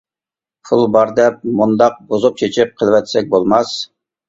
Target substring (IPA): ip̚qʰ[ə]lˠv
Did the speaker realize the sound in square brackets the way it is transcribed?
yes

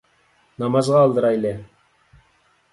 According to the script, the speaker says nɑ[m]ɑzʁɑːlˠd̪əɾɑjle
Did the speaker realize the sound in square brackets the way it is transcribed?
yes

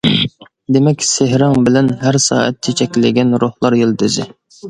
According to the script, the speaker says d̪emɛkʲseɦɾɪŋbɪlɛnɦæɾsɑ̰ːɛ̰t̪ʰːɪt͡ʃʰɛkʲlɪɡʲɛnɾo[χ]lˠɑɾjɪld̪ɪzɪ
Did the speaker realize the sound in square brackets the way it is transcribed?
no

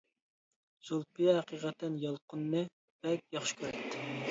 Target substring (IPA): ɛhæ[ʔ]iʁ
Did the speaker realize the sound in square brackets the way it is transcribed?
no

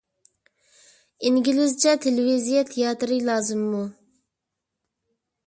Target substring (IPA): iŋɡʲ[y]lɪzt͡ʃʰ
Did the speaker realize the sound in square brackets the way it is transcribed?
no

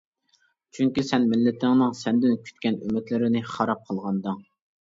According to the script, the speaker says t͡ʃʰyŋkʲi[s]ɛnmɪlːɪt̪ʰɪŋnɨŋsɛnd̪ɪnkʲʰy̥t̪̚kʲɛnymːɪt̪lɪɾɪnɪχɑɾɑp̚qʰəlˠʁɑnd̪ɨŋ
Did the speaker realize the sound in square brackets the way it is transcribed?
yes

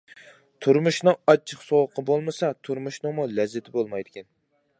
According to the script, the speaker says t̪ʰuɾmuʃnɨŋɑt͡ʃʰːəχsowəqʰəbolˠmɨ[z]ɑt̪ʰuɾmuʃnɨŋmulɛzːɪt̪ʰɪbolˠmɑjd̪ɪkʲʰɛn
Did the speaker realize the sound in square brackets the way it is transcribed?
no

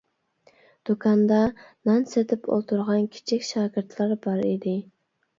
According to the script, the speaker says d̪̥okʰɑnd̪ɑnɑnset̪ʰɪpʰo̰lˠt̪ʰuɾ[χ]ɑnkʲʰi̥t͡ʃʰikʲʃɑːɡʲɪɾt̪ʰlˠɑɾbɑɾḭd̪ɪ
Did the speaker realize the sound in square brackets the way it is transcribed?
no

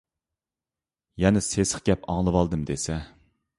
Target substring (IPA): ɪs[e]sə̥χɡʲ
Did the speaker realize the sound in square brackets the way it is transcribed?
yes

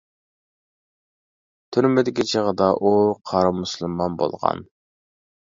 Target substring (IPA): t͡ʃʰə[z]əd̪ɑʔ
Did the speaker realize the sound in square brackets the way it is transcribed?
no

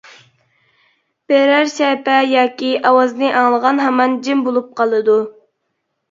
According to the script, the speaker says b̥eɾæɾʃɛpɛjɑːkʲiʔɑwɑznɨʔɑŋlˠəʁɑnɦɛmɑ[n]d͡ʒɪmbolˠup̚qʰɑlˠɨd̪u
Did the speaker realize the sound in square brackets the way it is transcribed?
yes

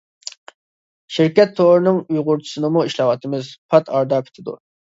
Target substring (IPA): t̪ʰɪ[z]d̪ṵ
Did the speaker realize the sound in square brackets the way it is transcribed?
no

